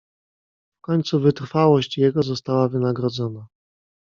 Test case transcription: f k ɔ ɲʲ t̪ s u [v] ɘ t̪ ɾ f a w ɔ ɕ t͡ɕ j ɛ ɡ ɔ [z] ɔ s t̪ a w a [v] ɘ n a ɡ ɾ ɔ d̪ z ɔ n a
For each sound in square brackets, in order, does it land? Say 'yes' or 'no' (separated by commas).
yes, yes, yes